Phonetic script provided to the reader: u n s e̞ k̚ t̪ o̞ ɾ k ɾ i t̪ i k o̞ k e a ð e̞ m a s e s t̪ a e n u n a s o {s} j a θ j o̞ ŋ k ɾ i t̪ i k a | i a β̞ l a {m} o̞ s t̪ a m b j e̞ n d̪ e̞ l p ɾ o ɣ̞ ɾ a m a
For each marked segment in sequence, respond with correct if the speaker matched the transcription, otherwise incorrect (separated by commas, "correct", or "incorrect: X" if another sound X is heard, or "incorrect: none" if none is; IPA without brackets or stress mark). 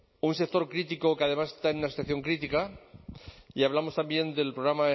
incorrect: θ, correct